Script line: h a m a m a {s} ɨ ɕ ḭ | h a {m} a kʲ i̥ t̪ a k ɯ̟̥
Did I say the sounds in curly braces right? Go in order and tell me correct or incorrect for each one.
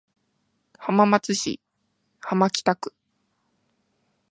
incorrect, correct

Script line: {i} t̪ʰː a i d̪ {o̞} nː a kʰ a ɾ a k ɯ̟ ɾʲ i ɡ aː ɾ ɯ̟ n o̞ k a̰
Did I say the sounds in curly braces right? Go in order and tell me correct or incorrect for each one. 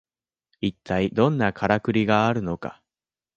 correct, incorrect

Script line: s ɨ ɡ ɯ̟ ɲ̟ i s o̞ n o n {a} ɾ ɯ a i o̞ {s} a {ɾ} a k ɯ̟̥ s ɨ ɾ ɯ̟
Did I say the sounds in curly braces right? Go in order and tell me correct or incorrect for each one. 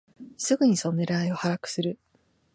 incorrect, incorrect, correct

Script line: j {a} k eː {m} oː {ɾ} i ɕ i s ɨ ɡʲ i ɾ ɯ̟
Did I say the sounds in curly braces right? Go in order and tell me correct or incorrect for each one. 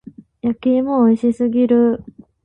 correct, correct, incorrect

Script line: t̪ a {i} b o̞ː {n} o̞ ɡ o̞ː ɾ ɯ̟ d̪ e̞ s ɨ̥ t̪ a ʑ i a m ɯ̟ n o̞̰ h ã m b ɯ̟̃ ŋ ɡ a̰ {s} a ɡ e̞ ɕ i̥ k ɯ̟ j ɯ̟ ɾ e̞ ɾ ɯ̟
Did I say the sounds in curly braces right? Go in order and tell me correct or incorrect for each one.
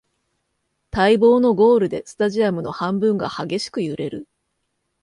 correct, correct, incorrect

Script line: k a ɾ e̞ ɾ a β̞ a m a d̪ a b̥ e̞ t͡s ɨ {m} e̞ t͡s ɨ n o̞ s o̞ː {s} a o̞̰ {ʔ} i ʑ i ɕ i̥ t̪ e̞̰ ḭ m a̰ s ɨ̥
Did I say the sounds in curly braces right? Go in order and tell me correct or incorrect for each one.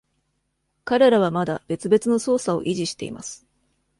incorrect, correct, correct

